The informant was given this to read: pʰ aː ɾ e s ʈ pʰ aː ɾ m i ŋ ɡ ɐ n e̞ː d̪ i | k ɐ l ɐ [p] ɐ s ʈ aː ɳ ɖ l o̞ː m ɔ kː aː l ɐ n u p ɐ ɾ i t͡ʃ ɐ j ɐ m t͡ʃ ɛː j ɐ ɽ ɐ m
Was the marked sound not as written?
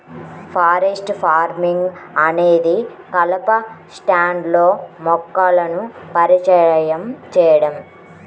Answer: no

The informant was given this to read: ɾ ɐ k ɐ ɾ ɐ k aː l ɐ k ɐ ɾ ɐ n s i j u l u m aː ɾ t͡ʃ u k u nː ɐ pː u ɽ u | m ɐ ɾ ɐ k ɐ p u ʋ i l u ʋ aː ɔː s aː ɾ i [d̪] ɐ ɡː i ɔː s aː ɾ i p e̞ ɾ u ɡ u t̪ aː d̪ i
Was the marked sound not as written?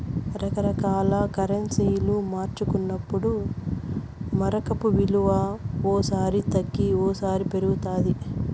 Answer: yes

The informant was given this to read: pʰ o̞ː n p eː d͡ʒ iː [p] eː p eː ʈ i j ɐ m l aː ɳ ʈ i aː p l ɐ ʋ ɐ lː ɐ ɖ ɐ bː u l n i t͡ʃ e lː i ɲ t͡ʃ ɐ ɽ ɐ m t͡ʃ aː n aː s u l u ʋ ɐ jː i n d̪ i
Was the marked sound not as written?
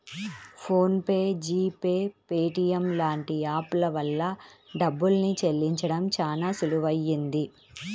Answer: no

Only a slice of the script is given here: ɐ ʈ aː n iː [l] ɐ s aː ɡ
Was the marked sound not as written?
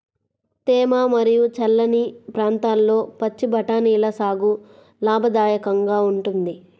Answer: no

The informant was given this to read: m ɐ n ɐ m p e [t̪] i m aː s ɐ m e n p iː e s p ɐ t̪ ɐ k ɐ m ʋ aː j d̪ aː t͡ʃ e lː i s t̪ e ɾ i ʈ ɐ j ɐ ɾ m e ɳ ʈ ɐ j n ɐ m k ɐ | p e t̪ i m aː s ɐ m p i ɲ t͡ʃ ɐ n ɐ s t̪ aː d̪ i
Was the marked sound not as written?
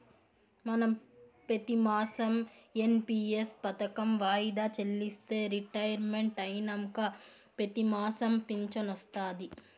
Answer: no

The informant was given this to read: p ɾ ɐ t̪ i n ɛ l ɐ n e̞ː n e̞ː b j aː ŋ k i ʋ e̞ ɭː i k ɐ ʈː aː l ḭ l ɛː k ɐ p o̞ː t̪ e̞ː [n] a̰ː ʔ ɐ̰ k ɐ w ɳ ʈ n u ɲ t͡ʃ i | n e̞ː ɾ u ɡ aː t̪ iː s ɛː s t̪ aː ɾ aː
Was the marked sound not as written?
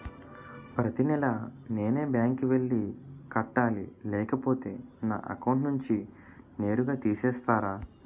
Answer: no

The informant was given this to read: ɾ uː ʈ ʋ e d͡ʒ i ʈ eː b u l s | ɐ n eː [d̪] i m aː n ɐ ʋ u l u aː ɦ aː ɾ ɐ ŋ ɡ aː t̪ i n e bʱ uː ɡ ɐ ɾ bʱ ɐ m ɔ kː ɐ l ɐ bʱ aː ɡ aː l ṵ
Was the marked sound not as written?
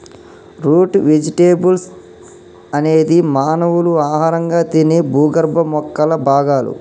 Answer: no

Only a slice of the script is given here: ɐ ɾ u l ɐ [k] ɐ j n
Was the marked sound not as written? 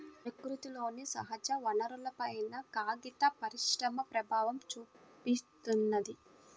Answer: yes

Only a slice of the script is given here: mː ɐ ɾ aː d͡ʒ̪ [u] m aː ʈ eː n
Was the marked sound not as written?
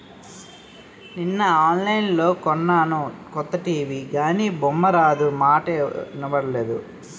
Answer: no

